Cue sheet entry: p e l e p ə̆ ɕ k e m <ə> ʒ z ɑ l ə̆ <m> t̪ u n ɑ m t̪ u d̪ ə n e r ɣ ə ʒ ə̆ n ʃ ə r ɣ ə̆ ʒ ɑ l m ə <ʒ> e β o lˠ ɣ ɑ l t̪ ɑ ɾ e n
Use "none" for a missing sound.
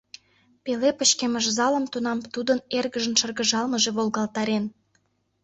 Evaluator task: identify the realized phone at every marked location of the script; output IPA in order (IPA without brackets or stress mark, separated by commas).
ə, m, ʒ